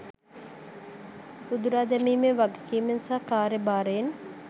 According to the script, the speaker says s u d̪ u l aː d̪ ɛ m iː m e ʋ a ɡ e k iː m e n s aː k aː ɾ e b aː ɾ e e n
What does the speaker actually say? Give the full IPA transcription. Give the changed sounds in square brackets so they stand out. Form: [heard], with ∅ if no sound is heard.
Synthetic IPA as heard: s u d̪ u [ɾ] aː d̪ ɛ m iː m e ʋ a ɡ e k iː m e n s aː k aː ɾ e b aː ɾ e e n